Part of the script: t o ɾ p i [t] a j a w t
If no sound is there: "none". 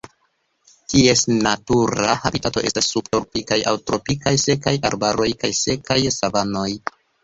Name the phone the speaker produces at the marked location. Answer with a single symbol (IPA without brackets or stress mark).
k